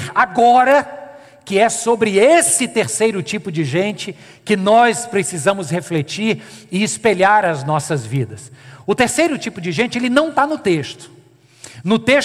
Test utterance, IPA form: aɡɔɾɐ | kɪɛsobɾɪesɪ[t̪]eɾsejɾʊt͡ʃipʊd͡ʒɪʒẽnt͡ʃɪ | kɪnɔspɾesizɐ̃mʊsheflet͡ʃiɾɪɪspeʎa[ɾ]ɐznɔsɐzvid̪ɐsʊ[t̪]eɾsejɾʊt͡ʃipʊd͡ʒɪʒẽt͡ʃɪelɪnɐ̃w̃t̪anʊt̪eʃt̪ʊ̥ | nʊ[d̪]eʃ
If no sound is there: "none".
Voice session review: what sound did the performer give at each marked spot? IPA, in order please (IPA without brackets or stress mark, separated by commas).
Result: t̪, ɾ, t̪, t̪